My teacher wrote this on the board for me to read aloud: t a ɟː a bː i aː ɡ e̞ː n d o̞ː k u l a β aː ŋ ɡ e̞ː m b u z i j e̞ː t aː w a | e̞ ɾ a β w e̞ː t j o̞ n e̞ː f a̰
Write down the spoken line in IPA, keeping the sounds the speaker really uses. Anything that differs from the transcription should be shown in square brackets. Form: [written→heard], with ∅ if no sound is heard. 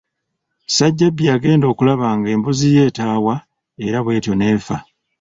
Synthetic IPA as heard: [t→s] a ɟː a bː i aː ɡ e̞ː n d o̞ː k u l a β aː ŋ ɡ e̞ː m b u z i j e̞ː t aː w a | e̞ ɾ a β w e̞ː t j o̞ n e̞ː f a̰